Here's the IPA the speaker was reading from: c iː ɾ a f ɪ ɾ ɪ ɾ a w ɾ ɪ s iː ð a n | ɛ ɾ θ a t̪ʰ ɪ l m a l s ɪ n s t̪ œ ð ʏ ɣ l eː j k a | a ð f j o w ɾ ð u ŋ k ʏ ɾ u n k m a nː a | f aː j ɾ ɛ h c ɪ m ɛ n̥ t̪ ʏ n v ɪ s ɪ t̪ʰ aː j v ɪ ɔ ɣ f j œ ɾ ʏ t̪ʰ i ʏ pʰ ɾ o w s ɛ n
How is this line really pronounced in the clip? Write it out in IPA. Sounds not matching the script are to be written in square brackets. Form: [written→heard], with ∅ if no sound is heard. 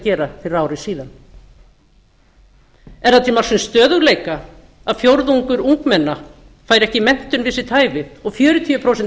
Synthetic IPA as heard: c [iː→ɛː] ɾ a f ɪ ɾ ɪ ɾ a w ɾ ɪ s iː ð a n | ɛ ɾ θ a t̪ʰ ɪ l m a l s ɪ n s t̪ [œ→œː] ð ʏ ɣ l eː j k a | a ð f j o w ɾ ð u ŋ k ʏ ɾ u [n→ŋ] k m [a→ɛ] nː a | f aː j ɾ ɛ h c ɪ m ɛ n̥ t̪ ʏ n v ɪ s ɪ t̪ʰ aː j v ɪ ɔ ɣ f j [œ→œː] ɾ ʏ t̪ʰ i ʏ pʰ ɾ o w s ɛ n